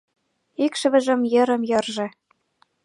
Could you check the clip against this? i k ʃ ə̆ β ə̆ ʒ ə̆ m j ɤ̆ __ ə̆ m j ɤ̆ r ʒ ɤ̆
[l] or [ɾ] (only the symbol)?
ɾ